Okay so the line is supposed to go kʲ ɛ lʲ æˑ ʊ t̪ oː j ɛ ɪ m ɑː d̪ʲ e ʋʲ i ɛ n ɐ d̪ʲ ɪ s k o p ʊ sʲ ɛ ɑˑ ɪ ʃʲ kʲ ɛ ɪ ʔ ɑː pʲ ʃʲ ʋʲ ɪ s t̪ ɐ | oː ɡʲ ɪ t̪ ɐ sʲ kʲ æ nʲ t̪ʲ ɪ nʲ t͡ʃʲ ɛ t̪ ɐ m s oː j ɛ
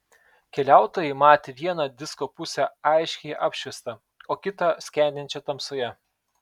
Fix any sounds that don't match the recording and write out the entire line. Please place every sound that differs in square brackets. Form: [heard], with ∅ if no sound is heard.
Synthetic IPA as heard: kʲ ɛ lʲ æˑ ʊ t̪ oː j ɛ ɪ m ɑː [t̪ʲ] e ʋʲ i ɛ n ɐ d̪ʲ ɪ s k o p ʊ sʲ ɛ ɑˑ ɪ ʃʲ kʲ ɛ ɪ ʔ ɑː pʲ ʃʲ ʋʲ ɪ s t̪ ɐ | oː [kʲ] ɪ t̪ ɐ sʲ kʲ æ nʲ [d̪ʲ] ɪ nʲ t͡ʃʲ ɛ t̪ ɐ m s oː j ɛ